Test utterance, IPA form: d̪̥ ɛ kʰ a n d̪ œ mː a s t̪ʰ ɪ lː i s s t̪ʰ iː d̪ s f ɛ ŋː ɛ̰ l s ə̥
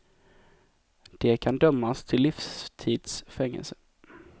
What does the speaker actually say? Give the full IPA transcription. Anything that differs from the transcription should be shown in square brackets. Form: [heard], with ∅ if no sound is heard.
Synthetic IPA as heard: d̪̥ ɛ kʰ a n d̪ œ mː a s t̪ʰ ɪ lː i [f] s t̪ʰ iː d̪ s f ɛ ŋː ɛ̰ l s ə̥

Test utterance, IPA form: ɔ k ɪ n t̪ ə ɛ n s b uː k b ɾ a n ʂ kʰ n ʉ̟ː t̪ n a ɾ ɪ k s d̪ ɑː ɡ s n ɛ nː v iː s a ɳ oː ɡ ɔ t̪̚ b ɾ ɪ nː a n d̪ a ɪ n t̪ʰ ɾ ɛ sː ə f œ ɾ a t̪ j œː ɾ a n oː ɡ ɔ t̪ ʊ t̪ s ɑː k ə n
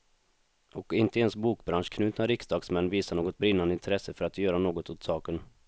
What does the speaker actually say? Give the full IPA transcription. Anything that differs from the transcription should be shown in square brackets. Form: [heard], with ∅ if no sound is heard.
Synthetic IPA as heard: ɔ k ɪ n t̪ ə ɛ n s b uː k b ɾ a n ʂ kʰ n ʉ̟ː t̪ n a ɾ ɪ k s d̪ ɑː ɡ s [m] ɛ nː v iː s a ɳ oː ɡ ɔ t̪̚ b ɾ ɪ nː a n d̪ [ə] ɪ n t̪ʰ ɾ ɛ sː ə f œ ɾ a t̪ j œː ɾ a n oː ɡ ɔ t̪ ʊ t̪ s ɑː k ə n

